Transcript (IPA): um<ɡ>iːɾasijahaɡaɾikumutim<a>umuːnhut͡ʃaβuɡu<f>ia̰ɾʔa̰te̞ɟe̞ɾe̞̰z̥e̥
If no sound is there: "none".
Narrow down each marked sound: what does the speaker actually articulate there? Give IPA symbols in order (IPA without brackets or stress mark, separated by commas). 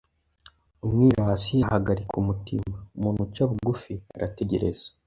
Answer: ŋ, a, f